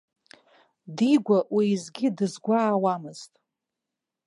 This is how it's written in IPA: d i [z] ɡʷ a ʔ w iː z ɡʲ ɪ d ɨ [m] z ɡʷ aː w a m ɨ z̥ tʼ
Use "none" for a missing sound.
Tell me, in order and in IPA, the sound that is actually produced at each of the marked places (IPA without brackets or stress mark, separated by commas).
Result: none, none